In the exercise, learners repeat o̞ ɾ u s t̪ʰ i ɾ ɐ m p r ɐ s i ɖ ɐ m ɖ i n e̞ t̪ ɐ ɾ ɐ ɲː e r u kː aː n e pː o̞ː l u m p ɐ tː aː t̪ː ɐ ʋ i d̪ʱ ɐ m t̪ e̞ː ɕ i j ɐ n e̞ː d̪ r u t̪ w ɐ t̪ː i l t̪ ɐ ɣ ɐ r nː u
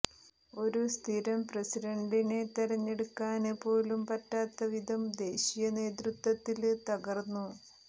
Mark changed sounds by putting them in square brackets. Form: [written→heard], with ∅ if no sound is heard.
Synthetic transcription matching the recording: o̞ ɾ u s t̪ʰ i ɾ ɐ m p r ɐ s i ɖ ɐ [m→ɳ] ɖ i n e̞ t̪ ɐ ɾ ɐ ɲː e [r→ɽ] u kː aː n e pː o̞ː l u m p ɐ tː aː t̪ː ɐ ʋ i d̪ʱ ɐ m [t̪→d̪] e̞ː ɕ i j ɐ n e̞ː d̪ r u t̪ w ɐ t̪ː i l t̪ ɐ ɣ ɐ r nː u